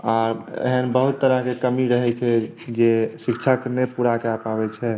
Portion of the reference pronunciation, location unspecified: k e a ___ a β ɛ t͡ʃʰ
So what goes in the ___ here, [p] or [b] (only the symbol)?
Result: p